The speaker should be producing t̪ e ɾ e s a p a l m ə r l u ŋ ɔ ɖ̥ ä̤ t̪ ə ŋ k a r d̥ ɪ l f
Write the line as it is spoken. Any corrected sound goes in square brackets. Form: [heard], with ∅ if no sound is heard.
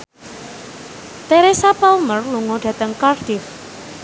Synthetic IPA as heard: t̪ e ɾ e s a p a l m ə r l u ŋ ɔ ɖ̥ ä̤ t̪ ə ŋ k a r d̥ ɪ [∅] f